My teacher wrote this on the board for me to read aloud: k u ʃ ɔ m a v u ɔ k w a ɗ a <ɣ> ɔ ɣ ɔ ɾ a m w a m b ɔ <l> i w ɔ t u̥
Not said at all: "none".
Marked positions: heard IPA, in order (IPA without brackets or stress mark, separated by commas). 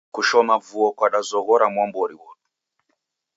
z, ɾ